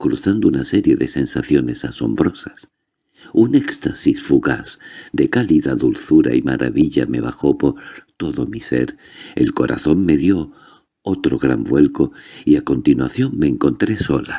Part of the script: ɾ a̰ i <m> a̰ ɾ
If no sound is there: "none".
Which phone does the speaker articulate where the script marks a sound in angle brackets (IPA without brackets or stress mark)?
m